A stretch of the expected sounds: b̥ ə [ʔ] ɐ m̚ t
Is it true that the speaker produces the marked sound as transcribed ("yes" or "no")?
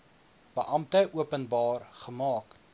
yes